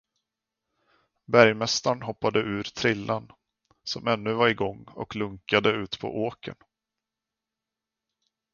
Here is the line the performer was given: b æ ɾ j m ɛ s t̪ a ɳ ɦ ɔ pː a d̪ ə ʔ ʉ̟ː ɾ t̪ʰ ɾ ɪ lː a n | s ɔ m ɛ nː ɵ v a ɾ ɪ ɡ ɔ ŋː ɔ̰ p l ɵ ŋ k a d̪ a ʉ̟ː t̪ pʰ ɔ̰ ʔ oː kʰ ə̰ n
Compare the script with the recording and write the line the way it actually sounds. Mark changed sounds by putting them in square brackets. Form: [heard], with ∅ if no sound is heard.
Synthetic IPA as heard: b æ ɾ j m ɛ s t̪ a ɳ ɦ ɔ pː a d̪ ə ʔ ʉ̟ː ɾ t̪ʰ ɾ ɪ lː a n | s ɔ m ɛ nː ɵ v a ɾ ɪ ɡ ɔ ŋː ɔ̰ [k] l ɵ ŋ k a d̪ [ə] ʉ̟ː t̪ pʰ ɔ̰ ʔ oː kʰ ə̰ n